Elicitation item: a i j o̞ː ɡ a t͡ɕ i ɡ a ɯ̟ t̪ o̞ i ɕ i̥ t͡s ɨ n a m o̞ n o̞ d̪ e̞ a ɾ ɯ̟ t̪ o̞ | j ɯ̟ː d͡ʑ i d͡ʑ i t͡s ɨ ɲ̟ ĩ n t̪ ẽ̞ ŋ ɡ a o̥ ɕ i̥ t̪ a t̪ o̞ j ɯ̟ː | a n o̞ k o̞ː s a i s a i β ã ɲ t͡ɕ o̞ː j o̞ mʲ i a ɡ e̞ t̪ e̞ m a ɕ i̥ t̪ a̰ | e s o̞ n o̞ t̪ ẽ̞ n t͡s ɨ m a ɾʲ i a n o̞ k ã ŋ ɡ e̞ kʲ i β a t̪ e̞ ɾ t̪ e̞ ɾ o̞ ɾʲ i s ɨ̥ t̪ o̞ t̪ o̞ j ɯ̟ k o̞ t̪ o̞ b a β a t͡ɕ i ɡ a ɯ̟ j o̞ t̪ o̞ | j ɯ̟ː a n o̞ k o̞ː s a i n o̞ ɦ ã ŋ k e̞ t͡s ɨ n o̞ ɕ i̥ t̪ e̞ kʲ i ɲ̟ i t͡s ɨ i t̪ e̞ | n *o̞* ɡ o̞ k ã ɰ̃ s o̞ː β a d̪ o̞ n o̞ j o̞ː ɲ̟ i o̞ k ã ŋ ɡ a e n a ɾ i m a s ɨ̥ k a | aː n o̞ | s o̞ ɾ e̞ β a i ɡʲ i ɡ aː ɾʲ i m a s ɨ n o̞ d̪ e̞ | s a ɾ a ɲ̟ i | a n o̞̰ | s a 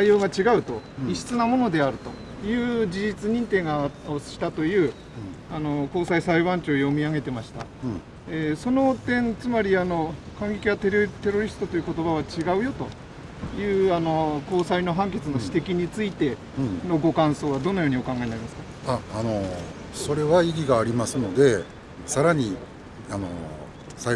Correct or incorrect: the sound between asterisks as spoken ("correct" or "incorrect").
correct